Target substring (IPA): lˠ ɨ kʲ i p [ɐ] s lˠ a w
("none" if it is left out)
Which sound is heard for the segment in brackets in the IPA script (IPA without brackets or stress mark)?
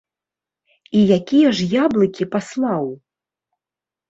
a